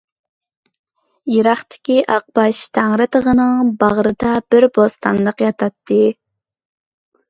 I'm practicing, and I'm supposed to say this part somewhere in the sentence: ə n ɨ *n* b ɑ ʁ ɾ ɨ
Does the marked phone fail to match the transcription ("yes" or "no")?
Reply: yes